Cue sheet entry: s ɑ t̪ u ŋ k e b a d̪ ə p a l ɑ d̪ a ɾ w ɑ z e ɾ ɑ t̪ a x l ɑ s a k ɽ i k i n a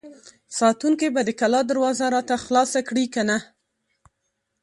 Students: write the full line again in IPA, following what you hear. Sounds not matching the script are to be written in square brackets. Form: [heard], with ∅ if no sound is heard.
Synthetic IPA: s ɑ t̪ u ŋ k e b a d̪ ə [k] a l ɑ d̪ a ɾ w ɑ z [a] ɾ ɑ t̪ a x l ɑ s a k ɽ i k [a] n a